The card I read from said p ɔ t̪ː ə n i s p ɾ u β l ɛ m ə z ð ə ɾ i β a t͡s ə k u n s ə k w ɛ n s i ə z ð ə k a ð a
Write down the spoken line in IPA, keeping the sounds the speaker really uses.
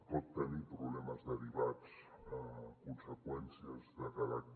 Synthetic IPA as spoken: p ɔ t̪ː ə n i p ɾ u β l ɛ m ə z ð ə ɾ i β a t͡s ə k u n s ə k w ɛ n s i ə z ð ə k a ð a